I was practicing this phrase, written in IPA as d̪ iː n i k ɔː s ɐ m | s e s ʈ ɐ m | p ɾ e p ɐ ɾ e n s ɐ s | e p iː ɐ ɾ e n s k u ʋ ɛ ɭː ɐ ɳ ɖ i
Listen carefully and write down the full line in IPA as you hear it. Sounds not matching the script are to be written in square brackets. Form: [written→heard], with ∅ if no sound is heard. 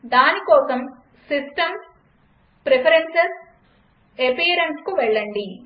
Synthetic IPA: d̪ [iː→aː] n i k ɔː s ɐ m | s [e→i] s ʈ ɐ m | p ɾ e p ɐ ɾ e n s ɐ s | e p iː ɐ ɾ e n s k u ʋ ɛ ɭː ɐ ɳ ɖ i

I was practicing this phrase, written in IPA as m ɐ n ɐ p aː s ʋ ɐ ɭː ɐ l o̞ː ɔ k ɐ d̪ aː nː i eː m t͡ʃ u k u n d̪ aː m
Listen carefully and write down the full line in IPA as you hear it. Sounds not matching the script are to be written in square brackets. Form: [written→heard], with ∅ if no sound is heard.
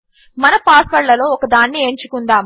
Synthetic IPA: m ɐ n ɐ p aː s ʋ ɐ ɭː ɐ l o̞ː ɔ k ɐ d̪ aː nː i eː [m→ɲ] t͡ʃ u k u n d̪ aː m

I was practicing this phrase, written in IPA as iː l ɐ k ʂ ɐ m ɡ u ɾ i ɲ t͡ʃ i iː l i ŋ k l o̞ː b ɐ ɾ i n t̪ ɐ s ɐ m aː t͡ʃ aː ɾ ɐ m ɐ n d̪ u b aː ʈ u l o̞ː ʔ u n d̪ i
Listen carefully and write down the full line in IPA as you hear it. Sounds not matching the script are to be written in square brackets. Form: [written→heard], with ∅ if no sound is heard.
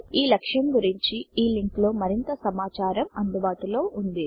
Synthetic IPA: iː l ɐ k ʂ ɐ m ɡ u ɾ i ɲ t͡ʃ i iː l i ŋ k l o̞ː [b→m] ɐ ɾ i n t̪ ɐ s ɐ m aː t͡ʃ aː ɾ ɐ m ɐ n d̪ u b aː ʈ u l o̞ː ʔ u n d̪ i

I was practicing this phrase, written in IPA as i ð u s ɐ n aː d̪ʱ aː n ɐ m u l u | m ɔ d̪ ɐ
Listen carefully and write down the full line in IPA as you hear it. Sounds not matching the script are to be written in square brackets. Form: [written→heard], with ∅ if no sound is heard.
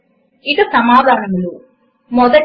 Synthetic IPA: i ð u s ɐ [n→m] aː d̪ʱ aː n ɐ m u l u | m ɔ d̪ ɐ

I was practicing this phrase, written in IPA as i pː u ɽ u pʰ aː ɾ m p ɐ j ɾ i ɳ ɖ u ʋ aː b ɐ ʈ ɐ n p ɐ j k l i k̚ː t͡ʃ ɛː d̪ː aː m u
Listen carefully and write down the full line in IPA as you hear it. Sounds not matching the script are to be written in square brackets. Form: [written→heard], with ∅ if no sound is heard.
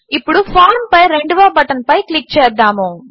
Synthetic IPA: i pː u ɽ u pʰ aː ɾ m p ɐ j ɾ [i→e] ɳ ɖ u ʋ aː b ɐ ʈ ɐ n p ɐ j k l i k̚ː t͡ʃ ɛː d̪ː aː m u

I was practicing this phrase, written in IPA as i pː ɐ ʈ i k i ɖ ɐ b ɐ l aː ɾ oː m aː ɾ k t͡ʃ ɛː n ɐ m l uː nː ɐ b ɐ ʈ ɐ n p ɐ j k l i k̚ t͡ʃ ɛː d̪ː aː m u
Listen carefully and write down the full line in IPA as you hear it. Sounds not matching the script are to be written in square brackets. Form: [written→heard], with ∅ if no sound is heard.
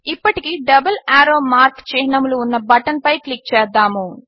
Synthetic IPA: i pː ɐ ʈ i k i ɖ ɐ b ɐ l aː ɾ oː m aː ɾ k t͡ʃ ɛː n ɐ m l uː nː ɐ b ɐ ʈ ɐ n p ɐ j k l i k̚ t͡ʃ ɛː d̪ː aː m u

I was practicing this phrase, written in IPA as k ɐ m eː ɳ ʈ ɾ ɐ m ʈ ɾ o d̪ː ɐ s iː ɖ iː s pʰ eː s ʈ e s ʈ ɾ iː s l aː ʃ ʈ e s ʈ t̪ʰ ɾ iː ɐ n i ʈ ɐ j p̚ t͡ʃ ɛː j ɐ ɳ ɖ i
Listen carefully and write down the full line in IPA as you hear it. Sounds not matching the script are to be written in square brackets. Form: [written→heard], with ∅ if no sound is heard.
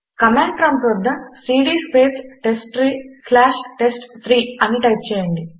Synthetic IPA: k ɐ m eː ɳ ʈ ɾ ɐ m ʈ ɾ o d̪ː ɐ s iː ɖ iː s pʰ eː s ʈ e s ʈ ɾ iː s l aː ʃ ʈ e s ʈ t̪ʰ ɾ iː ɐ n i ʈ ɐ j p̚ t͡ʃ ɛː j ɐ ɳ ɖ i

